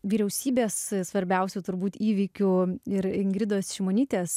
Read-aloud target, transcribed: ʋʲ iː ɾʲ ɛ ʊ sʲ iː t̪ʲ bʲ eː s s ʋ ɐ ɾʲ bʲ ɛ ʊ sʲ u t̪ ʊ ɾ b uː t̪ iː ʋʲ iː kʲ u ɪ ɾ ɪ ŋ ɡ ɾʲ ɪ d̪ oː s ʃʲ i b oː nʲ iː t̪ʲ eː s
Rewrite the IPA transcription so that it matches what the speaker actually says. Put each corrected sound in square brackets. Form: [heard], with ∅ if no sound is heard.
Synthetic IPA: ʋʲ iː ɾʲ ɛ ʊ sʲ iː [∅] bʲ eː s s ʋ ɐ ɾʲ bʲ ɛ ʊ sʲ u t̪ ʊ ɾ b uː t̪ iː ʋʲ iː kʲ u ɪ ɾ ɪ ŋ ɡ ɾʲ ɪ d̪ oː s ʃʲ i [m] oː nʲ iː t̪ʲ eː s

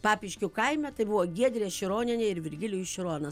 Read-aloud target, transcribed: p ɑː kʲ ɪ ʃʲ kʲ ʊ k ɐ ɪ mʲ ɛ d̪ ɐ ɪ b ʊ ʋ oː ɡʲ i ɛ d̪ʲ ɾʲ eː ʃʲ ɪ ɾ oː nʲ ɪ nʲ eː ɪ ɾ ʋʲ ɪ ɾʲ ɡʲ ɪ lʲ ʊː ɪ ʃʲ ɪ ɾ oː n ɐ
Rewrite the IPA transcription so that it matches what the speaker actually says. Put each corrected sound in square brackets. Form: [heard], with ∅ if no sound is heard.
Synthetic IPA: p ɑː [pʲ] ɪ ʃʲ kʲ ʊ k ɐ ɪ mʲ ɛ [t̪] ɐ ɪ b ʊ ʋ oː ɡʲ i ɛ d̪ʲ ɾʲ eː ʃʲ ɪ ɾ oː nʲ ɪ nʲ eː ɪ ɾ ʋʲ ɪ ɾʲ ɡʲ ɪ lʲ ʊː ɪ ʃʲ ɪ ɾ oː n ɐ

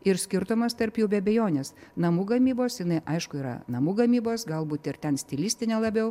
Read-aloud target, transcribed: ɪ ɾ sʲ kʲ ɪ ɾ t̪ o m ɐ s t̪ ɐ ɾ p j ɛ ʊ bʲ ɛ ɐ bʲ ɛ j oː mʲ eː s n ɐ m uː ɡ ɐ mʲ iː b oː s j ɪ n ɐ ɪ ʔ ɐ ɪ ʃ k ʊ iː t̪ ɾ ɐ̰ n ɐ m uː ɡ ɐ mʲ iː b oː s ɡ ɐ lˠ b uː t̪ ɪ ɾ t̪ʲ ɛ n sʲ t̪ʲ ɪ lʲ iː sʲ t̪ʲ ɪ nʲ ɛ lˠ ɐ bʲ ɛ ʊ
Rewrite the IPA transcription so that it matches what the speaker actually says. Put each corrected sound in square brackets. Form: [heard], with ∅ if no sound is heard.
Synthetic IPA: ɪ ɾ sʲ kʲ ɪ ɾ t̪ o m ɐ s t̪ ɐ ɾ p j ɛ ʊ bʲ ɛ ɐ bʲ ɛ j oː [nʲ] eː s n ɐ m uː ɡ ɐ mʲ iː b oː s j ɪ n ɐ ɪ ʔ ɐ ɪ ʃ k ʊ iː [∅] ɾ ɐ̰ n ɐ m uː ɡ ɐ mʲ iː b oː s ɡ ɐ lˠ b uː t̪ ɪ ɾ t̪ʲ ɛ n sʲ t̪ʲ ɪ lʲ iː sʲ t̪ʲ ɪ nʲ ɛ lˠ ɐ bʲ ɛ ʊ

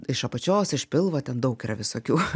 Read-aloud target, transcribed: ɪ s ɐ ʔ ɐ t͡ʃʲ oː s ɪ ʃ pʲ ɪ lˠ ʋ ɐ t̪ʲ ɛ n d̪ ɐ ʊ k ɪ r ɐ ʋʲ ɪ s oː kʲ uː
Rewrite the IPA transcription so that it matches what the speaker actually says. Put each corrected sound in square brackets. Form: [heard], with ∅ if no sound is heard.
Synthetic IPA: ɪ [ʃ] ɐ [p] ɐ t͡ʃʲ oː s ɪ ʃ pʲ ɪ lˠ ʋ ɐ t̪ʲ ɛ n d̪ ɐ ʊ k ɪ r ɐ ʋʲ ɪ s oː kʲ uː

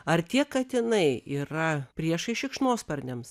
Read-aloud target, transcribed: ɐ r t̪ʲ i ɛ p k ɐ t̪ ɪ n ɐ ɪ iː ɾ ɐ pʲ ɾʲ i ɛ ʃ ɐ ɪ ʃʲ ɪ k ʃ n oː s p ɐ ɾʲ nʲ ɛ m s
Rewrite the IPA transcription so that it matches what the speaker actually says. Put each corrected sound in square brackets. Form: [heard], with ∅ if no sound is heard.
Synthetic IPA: ɐ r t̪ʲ i ɛ [k] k ɐ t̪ ɪ n ɐ ɪ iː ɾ ɐ pʲ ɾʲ i ɛ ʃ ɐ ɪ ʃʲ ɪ k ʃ n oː s p ɐ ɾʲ nʲ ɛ m s

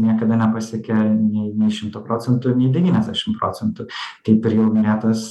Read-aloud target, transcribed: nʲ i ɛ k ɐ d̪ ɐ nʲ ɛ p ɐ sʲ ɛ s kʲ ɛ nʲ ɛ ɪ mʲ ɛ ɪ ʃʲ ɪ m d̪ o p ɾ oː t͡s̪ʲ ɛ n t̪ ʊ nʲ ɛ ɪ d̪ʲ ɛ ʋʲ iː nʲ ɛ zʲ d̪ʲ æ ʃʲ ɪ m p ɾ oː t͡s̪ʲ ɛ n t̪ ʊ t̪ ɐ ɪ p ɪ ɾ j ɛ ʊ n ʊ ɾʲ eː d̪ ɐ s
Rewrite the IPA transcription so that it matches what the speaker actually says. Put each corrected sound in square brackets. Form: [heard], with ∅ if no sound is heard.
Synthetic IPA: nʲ i ɛ k ɐ d̪ ɐ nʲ ɛ p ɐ sʲ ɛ [∅] kʲ ɛ nʲ ɛ ɪ [nʲ] ɛ ɪ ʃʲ ɪ m [t̪] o p ɾ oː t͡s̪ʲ ɛ n t̪ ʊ nʲ ɛ ɪ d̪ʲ ɛ ʋʲ iː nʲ ɛ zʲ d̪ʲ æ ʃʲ ɪ m p ɾ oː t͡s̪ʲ ɛ n t̪ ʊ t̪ ɐ ɪ p ɪ ɾ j ɛ ʊ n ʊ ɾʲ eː [t̪] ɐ s

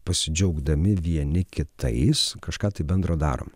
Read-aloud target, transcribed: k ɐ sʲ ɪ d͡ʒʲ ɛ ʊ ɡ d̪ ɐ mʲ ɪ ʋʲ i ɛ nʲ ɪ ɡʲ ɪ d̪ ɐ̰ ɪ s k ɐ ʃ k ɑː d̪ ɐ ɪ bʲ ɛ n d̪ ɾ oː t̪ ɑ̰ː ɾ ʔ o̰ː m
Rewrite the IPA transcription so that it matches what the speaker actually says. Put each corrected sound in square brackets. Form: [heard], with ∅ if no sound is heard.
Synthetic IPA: [p] ɐ sʲ ɪ d͡ʒʲ ɛ ʊ ɡ d̪ ɐ mʲ ɪ ʋʲ i ɛ nʲ ɪ [kʲ] ɪ [t̪] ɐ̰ ɪ s k ɐ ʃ k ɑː [t̪] ɐ ɪ bʲ ɛ n d̪ ɾ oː [d̪] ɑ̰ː ɾ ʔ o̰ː m

